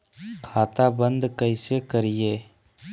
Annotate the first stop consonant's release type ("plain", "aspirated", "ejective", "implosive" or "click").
aspirated